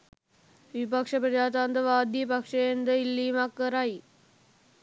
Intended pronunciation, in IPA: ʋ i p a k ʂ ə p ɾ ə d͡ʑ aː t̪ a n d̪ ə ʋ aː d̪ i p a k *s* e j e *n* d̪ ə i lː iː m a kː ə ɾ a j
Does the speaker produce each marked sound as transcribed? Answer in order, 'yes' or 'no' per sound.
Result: no, yes

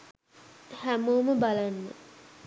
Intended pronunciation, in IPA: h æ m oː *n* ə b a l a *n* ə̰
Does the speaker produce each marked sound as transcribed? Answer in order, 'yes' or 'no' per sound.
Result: no, no

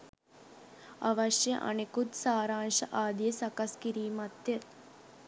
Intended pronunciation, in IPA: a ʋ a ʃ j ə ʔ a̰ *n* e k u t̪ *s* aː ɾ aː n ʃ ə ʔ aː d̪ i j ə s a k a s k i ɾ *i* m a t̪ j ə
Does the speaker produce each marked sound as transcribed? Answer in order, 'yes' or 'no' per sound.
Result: yes, yes, no

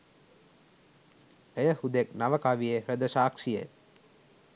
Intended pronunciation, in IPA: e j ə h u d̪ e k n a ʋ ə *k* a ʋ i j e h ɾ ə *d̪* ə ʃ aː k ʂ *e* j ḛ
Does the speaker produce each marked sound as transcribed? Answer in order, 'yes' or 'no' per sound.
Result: yes, yes, no

